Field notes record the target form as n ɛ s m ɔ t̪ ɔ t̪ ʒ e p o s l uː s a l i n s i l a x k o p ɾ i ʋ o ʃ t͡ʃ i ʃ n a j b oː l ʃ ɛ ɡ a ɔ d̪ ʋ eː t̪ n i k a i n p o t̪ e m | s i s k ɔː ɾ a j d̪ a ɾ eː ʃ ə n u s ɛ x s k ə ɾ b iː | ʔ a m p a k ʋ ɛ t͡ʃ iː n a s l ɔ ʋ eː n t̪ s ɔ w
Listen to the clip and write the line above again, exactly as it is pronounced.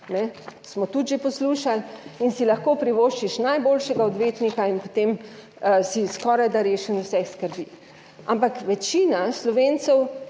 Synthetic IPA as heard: n ɛ s m ɔ t̪ u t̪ ʒ e p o s l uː ʃ a l i n s i l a x k o p ɾ i ʋ o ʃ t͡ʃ i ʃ n a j b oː l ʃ ɛ ɡ a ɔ d̪ ʋ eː t̪ n i k a i n p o t̪ e m | s i s k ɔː ɾ a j d̪ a ɾ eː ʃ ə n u s ɛ x s k ə ɾ b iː | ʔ a m p a k ʋ ɛ t͡ʃ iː n a s l ɔ ʋ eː n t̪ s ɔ w